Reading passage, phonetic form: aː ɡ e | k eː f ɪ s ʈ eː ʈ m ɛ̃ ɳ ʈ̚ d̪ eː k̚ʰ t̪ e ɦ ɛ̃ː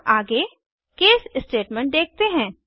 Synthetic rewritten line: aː ɡ e | k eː s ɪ s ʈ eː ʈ m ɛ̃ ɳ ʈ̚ d̪ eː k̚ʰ t̪ e ɦ ɛ̃ː